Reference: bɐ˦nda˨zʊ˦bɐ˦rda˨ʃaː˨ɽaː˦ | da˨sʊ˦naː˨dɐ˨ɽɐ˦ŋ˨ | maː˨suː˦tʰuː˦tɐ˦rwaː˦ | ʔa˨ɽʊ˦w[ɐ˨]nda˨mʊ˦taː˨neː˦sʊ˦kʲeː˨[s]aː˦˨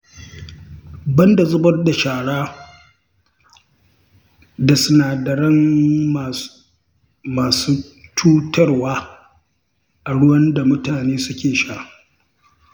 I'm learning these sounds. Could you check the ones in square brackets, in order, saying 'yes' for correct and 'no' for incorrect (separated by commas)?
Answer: no, no